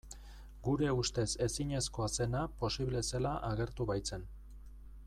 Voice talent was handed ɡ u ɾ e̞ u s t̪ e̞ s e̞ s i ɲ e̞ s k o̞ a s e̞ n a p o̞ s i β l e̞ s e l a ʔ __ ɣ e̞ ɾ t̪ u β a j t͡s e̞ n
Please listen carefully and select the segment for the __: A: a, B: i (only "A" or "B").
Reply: A